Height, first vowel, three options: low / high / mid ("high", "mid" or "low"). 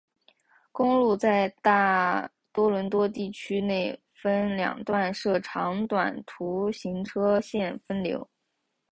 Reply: high